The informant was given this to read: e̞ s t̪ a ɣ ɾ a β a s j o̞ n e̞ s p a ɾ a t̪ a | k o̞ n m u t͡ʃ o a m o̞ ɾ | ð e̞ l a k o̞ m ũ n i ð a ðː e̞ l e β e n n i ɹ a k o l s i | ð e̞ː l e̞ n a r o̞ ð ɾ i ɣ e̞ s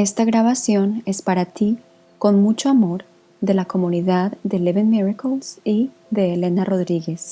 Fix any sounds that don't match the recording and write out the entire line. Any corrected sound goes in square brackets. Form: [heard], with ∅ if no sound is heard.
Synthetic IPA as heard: e̞ s t̪ a ɣ ɾ a β a s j o̞ n e̞ s p a ɾ a t̪ [i] | k o̞ n m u t͡ʃ o a m o̞ ɾ | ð e̞ l a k o̞ m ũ n i ð a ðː e̞ l e β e n [m] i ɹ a k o l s i | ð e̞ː l e̞ n a r o̞ ð ɾ i ɣ e̞ s